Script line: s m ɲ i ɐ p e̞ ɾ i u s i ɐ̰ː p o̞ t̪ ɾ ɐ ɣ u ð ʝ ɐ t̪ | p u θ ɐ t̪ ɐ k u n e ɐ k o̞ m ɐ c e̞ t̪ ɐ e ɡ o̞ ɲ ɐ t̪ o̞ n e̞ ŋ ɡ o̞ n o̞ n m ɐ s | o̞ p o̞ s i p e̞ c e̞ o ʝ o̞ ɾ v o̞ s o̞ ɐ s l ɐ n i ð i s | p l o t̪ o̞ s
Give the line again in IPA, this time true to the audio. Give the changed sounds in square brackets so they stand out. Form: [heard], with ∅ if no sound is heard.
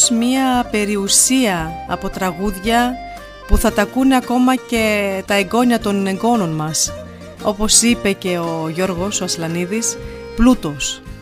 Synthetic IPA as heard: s m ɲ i ɐ p e̞ ɾ i u s i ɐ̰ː p o̞ t̪ ɾ ɐ ɣ u ð ʝ ɐ [∅] | p u θ ɐ t̪ ɐ k u n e ɐ k o̞ m ɐ c e̞ t̪ ɐ e ɡ o̞ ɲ ɐ t̪ o̞ n e̞ ŋ ɡ o̞ n o̞ n m ɐ s | o̞ p o̞ s i p e̞ c e̞ o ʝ o̞ ɾ [ɣ] o̞ s o̞ ɐ s l ɐ n i ð i s | p l [u] t̪ o̞ s